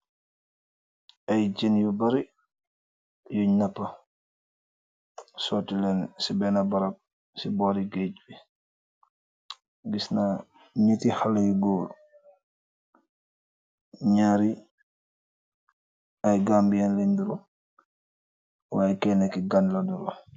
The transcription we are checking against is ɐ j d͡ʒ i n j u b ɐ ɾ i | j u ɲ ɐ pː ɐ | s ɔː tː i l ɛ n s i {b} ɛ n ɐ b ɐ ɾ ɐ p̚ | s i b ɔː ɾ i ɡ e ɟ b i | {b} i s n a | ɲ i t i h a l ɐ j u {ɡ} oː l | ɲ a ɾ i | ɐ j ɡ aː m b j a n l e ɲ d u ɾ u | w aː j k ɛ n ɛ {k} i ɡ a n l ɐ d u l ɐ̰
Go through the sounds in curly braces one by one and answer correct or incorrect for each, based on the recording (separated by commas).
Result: correct, incorrect, correct, correct